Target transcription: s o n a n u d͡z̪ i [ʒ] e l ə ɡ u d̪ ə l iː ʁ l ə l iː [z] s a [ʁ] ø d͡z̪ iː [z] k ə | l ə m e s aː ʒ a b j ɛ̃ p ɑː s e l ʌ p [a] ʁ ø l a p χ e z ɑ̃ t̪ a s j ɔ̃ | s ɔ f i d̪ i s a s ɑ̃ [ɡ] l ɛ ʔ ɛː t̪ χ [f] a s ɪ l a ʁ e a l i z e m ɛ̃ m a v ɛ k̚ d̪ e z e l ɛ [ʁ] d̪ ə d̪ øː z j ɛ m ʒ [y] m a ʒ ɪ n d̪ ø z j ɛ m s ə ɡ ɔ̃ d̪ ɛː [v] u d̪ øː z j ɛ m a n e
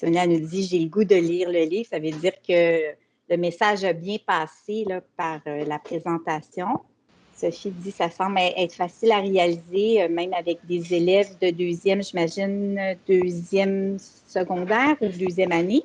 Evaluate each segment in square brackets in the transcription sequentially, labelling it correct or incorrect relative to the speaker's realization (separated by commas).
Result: correct, incorrect, incorrect, incorrect, correct, incorrect, correct, incorrect, incorrect, incorrect